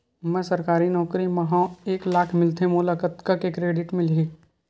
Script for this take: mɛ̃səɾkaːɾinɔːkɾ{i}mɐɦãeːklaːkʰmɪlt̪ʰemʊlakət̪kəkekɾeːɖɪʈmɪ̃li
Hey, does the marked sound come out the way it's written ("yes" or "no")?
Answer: yes